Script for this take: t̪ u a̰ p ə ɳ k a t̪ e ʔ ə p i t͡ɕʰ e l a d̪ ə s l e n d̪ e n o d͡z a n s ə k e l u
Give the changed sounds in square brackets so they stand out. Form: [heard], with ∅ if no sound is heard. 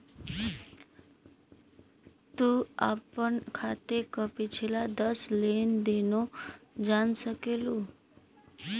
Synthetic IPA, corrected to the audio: t̪ u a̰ p ə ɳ [kʰ] a t̪ e [k] ə p i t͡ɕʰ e l a d̪ ə s l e n d̪ e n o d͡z a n s ə k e l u